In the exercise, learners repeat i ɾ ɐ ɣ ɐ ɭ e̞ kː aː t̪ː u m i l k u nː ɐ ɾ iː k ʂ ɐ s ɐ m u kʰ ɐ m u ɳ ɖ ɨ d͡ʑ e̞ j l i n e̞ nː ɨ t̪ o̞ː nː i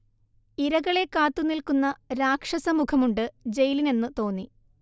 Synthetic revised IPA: i ɾ ɐ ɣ ɐ ɭ e̞ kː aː t̪ː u n i l k u nː ɐ ɾ aː k ʂ ɐ s ɐ m u kʰ ɐ m u ɳ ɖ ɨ d͡ʑ e̞ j l i n e̞ nː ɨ t̪ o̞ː nː i